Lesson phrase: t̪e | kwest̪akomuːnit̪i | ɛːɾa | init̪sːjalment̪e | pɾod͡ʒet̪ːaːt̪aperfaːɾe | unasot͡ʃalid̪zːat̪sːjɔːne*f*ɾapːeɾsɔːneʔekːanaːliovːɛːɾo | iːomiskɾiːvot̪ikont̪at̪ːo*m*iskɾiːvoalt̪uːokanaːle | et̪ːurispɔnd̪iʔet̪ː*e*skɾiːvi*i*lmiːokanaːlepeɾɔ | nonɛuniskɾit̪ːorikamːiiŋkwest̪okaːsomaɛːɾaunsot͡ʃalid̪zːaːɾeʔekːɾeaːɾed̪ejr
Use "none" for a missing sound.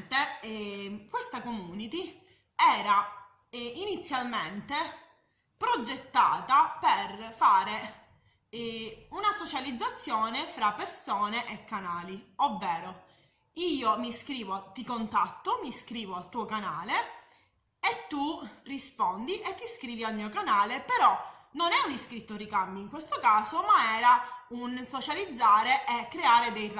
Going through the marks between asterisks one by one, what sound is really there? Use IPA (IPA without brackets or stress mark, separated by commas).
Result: f, m, i, a